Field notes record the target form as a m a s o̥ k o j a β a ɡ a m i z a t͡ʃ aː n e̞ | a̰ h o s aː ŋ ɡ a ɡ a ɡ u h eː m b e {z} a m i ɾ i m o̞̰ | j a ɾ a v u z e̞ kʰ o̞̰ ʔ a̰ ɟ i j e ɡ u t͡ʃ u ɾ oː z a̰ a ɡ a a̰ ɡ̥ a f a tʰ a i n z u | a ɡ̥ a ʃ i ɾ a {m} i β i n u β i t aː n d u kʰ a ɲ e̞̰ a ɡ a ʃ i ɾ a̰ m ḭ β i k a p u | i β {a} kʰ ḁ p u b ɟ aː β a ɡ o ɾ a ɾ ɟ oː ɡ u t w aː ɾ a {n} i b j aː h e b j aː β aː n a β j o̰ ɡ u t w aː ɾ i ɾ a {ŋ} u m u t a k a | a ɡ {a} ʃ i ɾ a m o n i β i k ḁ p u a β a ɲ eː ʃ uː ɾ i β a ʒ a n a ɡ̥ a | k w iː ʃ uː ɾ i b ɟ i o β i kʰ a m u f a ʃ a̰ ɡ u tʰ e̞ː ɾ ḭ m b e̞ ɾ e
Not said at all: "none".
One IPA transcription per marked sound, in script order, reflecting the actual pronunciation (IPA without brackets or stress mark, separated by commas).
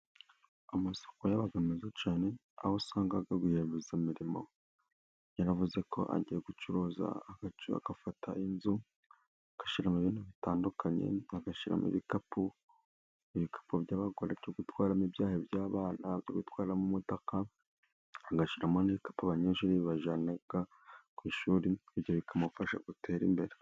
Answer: z, m, i, m, m, a